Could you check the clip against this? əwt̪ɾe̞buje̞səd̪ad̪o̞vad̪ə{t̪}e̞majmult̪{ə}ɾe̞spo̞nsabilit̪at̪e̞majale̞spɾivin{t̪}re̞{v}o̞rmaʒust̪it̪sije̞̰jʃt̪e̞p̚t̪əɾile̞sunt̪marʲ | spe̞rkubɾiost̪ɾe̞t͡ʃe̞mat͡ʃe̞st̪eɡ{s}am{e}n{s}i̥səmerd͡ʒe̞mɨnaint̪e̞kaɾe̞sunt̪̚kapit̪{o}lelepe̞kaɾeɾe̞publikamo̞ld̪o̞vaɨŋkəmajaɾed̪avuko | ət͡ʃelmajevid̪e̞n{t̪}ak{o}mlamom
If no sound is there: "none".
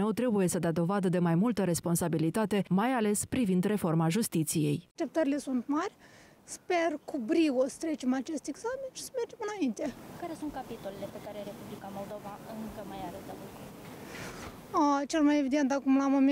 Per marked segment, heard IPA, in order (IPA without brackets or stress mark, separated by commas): d̪, ə, d̪, f, z, e, ʃ, o, t̪, u